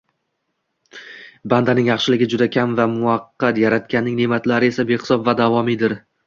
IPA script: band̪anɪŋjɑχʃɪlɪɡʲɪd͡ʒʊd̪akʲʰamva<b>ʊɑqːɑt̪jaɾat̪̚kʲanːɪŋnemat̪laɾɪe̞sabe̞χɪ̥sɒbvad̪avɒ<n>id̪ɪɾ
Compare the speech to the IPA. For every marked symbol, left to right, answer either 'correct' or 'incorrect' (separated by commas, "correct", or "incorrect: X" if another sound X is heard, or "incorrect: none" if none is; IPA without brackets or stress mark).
incorrect: m, incorrect: m